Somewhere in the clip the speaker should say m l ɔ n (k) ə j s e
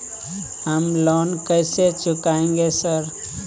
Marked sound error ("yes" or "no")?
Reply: no